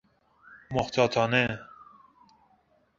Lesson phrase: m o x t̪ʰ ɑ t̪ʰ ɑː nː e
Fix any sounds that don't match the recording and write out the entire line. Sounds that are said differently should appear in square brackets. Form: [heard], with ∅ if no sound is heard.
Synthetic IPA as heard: m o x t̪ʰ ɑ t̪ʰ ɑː [n] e